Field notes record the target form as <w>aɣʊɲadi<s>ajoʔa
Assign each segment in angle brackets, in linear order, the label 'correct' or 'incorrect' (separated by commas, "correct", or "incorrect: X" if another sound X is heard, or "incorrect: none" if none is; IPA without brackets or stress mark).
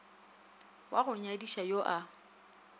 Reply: correct, incorrect: ʃ